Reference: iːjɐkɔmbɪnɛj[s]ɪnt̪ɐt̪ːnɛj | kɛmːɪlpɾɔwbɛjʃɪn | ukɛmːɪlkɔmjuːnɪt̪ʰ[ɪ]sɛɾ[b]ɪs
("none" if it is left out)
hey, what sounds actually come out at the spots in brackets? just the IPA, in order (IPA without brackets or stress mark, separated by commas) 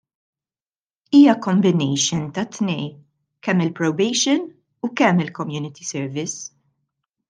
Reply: ʃ, i, v